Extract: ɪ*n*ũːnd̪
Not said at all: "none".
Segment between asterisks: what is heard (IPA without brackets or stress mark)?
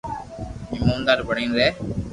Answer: m